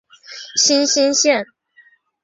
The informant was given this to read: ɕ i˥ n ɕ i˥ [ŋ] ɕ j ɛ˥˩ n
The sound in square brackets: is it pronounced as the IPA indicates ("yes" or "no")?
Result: no